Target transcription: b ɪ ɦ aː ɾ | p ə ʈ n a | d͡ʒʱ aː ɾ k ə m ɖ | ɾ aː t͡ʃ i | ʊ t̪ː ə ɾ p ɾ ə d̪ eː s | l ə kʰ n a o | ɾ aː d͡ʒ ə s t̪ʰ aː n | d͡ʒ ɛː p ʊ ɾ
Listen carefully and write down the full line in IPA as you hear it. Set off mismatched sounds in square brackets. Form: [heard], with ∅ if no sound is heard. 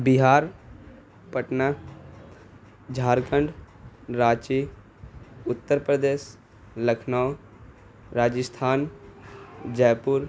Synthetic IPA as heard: b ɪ ɦ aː ɾ | p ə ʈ n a | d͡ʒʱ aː ɾ k ə [ɳ] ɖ | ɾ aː t͡ʃ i | ʊ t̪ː ə ɾ p ɾ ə d̪ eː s | l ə kʰ n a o | ɾ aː d͡ʒ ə s t̪ʰ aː n | d͡ʒ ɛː p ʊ ɾ